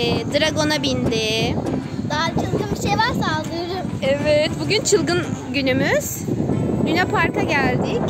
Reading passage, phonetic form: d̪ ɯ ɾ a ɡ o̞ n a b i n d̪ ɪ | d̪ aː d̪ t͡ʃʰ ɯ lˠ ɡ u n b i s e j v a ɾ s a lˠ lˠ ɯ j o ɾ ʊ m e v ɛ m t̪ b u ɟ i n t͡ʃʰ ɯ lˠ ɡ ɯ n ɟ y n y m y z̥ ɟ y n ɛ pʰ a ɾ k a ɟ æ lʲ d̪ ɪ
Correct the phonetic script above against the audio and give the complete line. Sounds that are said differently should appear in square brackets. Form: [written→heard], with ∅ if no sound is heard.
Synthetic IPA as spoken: d̪ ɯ ɾ a ɡ o̞ n a b i n d̪ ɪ | d̪ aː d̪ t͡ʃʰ ɯ lˠ ɡ [u→ɯ] n b i [s→ʃ] e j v a ɾ s a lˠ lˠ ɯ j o ɾ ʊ m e v ɛ [m→∅] t̪ b u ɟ [i→y] n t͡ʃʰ ɯ lˠ ɡ ɯ n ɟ y n y m y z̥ ɟ y n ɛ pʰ a ɾ k a ɟ æ lʲ d̪ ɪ